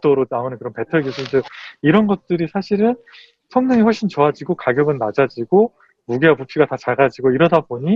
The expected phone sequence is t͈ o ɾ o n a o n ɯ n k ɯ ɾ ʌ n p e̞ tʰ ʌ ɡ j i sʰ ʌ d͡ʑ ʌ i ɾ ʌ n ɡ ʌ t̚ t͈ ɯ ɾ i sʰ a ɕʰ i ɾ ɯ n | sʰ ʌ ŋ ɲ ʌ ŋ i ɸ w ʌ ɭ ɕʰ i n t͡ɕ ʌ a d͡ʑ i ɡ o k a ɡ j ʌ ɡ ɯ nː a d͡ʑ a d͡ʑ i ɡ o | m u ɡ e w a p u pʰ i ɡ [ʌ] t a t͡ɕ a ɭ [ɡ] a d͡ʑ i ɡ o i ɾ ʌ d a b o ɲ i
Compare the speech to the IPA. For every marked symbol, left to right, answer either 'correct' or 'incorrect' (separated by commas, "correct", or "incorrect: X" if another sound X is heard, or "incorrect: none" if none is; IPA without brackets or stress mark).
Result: incorrect: a, correct